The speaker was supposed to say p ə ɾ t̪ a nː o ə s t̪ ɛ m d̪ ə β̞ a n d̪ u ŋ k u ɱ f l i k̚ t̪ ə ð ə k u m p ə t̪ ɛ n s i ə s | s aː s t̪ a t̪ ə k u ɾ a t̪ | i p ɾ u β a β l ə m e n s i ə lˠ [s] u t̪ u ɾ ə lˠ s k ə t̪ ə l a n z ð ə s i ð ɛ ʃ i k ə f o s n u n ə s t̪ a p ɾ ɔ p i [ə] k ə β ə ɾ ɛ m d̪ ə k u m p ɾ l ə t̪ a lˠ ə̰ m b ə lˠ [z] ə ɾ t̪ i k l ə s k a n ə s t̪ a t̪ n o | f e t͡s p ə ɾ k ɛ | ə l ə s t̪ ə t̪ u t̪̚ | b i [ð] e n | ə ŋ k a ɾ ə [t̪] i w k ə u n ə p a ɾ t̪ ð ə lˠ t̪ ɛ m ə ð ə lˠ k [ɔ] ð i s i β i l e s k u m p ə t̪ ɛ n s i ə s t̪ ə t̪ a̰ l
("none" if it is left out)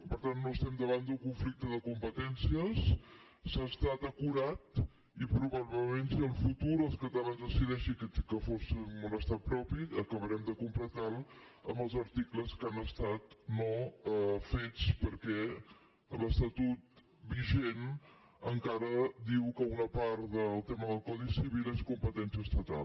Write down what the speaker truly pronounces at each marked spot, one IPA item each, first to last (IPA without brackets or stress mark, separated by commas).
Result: f, ə, z, ʒ, d̪, ɔ